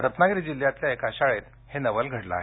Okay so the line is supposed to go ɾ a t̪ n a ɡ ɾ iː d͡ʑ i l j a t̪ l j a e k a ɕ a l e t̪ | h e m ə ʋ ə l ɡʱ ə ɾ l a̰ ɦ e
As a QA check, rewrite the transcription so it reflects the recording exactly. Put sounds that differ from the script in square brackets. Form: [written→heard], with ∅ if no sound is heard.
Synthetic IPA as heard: ɾ [a→ə] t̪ n a ɡ ɾ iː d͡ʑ i l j a t̪ l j a e k a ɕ a [l→ɭ] e t̪ | h e [m→n] ə ʋ ə l ɡʱ ə [ɾ→ɽ] l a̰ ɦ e